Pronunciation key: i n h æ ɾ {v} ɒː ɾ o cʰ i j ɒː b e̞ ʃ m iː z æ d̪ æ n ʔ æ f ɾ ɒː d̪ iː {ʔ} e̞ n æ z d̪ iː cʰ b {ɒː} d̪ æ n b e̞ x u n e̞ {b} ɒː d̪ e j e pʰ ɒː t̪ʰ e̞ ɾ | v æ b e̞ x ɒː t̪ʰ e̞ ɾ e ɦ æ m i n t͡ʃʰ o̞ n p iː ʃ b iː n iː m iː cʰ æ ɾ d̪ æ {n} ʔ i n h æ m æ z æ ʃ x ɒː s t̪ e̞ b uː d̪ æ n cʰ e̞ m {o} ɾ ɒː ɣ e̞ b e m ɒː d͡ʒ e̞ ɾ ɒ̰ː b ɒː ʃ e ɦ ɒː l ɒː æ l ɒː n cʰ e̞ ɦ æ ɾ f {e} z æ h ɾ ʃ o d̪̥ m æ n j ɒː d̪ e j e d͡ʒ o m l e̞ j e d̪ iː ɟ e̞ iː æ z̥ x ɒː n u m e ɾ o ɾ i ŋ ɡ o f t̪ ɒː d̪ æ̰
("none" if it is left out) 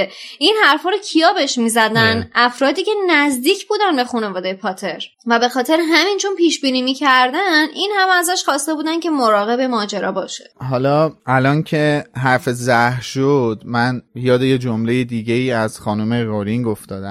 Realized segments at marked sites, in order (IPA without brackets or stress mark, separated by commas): f, c, uː, v, n, o, e